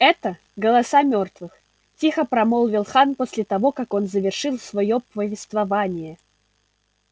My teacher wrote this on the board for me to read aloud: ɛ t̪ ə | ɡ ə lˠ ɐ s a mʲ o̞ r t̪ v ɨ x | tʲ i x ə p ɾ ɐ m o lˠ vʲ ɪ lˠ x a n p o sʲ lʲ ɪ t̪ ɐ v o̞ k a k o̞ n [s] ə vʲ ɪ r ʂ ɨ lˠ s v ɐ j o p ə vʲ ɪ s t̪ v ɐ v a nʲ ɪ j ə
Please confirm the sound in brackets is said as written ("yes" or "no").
no